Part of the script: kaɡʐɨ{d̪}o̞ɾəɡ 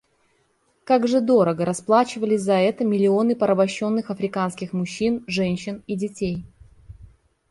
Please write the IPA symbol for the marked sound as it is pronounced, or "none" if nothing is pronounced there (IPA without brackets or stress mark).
d̪